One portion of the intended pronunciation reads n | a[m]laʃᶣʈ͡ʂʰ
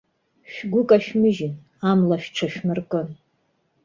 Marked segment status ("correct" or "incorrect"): correct